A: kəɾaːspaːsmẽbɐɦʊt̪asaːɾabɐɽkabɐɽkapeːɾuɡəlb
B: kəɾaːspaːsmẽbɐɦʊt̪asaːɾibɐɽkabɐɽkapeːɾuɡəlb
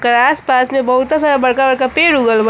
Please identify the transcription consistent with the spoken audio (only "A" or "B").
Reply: A